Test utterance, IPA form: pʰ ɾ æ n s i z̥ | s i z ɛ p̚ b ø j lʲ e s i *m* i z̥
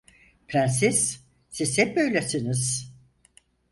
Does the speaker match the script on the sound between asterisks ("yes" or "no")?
no